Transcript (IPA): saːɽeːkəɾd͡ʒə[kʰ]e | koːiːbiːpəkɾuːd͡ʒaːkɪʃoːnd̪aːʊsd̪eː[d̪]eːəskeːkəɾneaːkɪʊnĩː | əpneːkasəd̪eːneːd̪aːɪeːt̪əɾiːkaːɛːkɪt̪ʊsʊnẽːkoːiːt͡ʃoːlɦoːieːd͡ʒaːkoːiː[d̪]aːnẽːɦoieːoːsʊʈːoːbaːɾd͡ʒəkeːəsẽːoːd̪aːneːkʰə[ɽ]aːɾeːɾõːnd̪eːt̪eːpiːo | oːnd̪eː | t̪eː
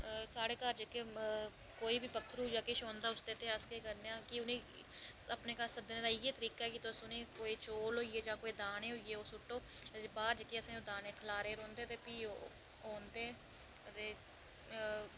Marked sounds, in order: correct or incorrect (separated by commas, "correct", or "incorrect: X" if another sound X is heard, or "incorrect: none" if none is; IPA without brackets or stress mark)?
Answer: incorrect: k, incorrect: t̪, correct, incorrect: l